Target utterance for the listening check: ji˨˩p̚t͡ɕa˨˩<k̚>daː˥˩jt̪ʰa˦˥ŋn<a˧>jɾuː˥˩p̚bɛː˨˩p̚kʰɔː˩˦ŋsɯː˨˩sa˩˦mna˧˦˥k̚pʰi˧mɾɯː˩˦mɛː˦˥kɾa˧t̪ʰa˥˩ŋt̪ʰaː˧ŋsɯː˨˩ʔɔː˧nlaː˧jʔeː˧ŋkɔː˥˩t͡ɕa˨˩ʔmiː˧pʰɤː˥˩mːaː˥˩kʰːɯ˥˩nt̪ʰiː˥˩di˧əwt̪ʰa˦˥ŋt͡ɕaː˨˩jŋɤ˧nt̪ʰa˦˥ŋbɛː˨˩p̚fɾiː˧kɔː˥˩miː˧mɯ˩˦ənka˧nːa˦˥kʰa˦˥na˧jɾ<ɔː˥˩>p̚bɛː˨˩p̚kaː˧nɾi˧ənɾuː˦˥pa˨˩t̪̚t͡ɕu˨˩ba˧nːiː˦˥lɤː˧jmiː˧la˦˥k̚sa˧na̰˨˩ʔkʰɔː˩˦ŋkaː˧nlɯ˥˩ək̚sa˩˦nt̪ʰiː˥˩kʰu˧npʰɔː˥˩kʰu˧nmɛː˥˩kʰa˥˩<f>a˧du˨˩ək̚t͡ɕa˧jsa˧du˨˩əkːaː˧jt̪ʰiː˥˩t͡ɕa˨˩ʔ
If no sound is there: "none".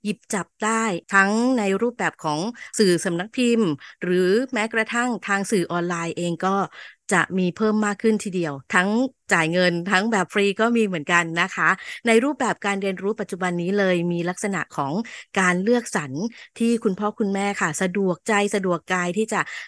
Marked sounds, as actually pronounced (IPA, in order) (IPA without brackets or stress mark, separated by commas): p̚, a˧, uː˥˩, s